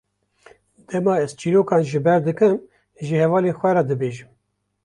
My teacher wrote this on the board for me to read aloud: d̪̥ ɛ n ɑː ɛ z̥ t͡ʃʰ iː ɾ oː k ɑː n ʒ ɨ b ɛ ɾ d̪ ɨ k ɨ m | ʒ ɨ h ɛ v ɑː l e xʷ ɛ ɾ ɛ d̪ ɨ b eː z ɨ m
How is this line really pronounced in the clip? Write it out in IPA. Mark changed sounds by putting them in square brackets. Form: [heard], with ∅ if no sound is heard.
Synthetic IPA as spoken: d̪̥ ɛ [m] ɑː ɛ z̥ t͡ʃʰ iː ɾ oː k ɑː n ʒ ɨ b ɛ ɾ d̪ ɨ k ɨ m | ʒ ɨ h ɛ v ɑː l e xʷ ɛ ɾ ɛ d̪ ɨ b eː [ʒ] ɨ m